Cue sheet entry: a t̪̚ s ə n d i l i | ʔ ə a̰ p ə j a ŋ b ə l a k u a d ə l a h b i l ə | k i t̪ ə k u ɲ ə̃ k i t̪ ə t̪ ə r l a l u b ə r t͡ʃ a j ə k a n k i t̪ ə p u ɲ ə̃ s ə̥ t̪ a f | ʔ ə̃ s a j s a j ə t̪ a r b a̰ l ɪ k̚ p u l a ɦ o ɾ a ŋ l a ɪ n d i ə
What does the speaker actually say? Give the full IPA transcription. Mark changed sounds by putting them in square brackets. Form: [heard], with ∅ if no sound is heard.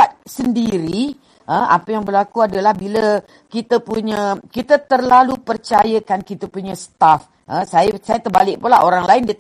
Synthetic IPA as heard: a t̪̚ s ə n d i [ɾ] i | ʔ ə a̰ p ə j a ŋ b ə l a k u a d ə l a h b i l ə | k i t̪ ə [p] u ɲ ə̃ k i t̪ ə t̪ ə r l a l u [p] ə r t͡ʃ a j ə k a n k i t̪ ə p u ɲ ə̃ s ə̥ t̪ a f | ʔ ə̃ s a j s a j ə t̪ [ə] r b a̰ l ɪ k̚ p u l a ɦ o ɾ a ŋ l a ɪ n d i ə